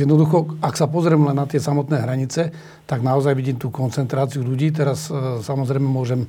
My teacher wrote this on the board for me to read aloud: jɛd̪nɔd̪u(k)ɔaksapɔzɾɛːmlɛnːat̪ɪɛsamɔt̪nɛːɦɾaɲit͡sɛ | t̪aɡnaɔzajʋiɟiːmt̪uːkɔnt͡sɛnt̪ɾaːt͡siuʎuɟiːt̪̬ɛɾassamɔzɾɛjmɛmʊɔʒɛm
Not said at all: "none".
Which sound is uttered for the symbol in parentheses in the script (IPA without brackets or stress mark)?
x